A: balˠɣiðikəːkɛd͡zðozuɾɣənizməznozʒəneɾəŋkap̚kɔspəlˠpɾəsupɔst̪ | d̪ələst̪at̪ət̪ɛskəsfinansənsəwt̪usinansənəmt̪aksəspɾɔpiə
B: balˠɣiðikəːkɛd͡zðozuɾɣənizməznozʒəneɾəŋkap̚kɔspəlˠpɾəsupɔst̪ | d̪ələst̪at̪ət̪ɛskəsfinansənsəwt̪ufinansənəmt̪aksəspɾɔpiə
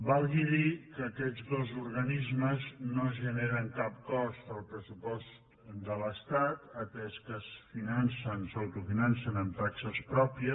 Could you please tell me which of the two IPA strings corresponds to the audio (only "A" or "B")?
B